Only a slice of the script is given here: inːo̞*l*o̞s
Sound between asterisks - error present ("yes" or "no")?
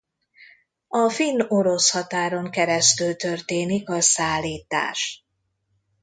yes